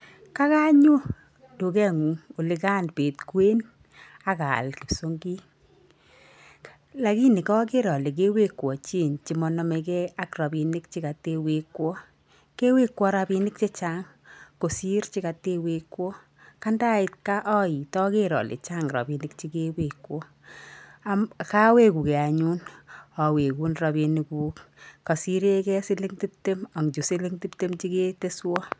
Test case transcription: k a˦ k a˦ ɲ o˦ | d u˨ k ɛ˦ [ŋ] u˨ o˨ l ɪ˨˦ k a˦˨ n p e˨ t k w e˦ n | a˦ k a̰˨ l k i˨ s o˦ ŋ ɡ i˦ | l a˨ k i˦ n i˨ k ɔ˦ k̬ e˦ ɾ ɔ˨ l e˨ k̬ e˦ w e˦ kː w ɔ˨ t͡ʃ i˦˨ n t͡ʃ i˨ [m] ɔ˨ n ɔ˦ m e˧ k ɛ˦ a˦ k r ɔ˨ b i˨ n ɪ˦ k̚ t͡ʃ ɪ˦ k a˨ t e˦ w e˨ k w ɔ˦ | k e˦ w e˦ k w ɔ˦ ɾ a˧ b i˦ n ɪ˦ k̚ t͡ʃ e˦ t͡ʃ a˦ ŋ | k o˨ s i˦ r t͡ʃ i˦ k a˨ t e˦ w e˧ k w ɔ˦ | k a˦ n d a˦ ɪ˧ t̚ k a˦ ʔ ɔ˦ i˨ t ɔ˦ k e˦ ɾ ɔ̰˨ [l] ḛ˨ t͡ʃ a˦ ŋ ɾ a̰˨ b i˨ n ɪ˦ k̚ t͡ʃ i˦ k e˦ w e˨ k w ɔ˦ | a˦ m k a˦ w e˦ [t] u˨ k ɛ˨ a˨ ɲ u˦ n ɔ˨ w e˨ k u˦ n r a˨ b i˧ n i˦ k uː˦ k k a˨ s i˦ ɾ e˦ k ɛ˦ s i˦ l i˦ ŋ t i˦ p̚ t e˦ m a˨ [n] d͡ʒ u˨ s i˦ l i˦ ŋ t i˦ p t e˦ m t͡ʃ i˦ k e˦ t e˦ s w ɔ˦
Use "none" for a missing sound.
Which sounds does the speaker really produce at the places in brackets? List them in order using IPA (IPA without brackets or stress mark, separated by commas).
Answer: ŋ, m, l, k, ŋ